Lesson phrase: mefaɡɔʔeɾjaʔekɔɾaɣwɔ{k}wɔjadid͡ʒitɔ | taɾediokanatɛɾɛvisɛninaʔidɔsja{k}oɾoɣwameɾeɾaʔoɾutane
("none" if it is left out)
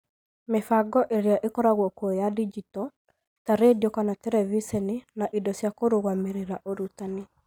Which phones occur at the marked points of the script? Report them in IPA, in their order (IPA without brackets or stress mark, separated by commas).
k, k